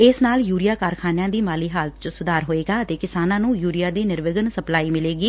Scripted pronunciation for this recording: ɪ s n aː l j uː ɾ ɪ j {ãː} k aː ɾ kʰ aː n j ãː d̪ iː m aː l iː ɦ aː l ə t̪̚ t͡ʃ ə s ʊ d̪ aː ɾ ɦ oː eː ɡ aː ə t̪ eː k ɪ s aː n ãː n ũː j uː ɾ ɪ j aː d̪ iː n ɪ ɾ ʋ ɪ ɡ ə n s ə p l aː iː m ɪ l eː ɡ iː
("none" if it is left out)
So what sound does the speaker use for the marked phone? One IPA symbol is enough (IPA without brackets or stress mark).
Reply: aː